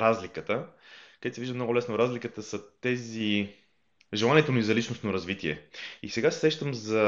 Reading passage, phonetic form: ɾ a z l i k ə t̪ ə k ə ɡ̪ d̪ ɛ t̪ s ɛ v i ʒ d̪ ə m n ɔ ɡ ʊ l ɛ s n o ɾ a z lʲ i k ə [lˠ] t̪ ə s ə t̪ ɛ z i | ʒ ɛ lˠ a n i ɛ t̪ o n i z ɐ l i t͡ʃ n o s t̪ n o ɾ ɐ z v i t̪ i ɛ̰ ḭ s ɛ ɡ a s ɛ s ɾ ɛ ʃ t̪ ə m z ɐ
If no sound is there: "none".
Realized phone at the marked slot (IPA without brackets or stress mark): none